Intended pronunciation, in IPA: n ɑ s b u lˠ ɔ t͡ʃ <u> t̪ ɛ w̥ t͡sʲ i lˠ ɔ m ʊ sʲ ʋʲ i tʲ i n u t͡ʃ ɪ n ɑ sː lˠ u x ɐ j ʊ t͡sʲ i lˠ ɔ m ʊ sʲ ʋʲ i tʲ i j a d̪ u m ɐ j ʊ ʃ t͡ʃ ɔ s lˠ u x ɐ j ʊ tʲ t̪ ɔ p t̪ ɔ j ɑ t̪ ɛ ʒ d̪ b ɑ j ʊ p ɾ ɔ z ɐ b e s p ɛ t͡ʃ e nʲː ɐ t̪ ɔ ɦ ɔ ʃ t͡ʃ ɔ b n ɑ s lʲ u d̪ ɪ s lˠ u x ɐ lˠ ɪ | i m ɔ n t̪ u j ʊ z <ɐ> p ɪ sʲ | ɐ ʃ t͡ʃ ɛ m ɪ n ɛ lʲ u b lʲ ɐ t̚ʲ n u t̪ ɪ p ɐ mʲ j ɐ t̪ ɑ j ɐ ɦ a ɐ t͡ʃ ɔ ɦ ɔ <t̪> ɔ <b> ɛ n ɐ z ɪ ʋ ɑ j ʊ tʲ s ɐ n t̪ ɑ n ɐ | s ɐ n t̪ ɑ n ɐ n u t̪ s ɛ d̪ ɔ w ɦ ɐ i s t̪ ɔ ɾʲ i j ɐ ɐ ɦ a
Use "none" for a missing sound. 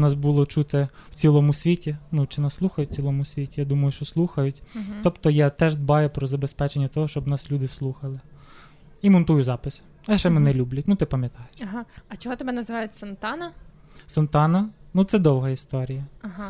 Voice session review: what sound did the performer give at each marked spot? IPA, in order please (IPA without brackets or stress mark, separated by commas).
u, ɑ, t̪, b